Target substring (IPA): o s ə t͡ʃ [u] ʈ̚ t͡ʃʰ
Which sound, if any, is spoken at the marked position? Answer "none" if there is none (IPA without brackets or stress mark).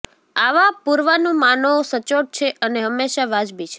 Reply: o